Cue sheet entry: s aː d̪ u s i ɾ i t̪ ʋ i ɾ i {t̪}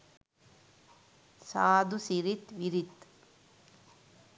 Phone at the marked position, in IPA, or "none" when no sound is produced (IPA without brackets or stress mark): t̪